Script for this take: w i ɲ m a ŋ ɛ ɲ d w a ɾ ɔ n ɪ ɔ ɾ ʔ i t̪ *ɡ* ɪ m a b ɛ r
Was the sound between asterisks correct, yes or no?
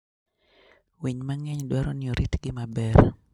yes